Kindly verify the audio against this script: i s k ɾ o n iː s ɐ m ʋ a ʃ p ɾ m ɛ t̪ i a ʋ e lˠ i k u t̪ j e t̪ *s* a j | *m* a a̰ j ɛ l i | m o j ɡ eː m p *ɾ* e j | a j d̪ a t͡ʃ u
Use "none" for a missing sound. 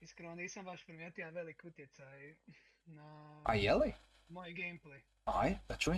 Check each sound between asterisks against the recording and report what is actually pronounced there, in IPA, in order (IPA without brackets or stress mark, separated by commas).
s, n, l